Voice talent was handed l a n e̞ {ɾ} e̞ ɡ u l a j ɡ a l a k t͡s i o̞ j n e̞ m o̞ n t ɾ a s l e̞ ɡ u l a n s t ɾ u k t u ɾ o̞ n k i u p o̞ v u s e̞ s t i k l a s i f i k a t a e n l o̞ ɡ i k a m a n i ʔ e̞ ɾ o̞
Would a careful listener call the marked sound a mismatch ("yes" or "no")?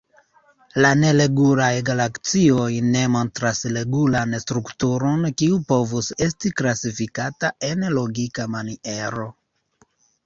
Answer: yes